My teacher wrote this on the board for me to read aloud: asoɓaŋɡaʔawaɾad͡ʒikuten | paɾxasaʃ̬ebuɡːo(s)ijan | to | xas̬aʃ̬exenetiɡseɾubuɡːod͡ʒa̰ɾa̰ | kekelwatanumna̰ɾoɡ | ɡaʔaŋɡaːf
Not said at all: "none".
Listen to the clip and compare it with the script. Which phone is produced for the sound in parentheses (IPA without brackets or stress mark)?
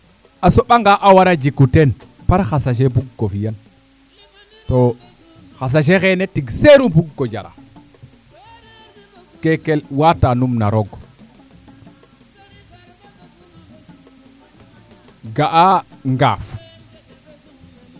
f